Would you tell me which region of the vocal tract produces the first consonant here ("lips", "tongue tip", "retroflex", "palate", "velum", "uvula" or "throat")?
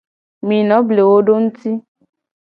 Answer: lips